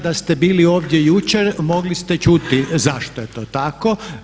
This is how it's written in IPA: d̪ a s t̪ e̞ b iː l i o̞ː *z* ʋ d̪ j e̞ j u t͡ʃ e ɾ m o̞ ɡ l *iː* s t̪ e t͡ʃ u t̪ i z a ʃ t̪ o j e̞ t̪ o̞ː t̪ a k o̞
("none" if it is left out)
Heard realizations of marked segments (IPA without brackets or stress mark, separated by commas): none, i